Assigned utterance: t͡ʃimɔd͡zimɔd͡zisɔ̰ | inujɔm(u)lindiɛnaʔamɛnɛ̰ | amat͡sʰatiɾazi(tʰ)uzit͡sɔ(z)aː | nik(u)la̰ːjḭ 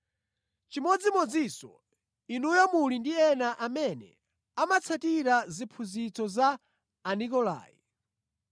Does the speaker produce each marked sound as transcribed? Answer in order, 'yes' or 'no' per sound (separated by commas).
yes, no, yes, no